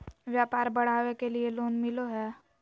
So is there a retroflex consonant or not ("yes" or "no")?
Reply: yes